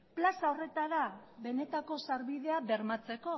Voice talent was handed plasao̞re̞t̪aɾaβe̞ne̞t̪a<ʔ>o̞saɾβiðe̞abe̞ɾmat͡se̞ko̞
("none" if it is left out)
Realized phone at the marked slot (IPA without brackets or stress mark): k